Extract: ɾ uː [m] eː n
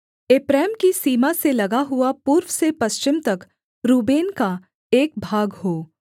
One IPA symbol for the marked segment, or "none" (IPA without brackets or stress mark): b